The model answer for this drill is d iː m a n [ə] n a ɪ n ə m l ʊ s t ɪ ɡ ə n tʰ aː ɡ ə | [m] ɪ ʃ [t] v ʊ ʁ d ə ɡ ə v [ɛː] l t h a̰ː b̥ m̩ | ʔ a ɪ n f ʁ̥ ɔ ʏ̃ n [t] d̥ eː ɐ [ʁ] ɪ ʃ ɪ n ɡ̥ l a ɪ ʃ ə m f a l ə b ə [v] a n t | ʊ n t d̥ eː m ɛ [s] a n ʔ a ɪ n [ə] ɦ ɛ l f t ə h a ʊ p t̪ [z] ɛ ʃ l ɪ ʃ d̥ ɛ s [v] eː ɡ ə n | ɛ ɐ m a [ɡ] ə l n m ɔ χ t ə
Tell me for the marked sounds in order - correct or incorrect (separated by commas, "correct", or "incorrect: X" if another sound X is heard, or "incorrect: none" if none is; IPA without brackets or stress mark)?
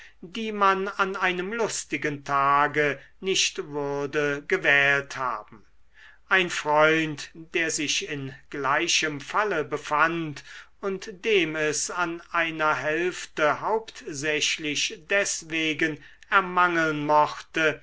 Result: incorrect: a, incorrect: n, correct, correct, correct, incorrect: z, incorrect: f, correct, incorrect: ɐ, correct, correct, incorrect: ŋ